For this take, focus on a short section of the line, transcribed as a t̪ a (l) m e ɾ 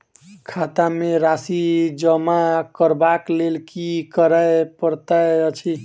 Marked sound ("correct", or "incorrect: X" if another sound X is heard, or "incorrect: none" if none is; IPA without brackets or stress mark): incorrect: none